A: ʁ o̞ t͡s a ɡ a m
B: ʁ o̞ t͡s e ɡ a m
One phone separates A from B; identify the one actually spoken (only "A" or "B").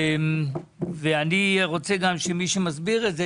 B